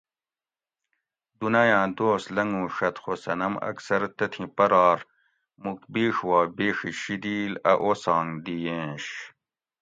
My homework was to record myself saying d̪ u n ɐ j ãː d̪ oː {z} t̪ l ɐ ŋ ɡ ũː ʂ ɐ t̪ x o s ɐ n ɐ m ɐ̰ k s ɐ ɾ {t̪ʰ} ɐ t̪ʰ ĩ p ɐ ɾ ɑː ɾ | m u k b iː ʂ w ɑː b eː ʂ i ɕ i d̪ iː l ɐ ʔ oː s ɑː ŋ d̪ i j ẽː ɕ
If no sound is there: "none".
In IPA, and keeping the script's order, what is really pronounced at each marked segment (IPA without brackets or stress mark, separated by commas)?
s, t̪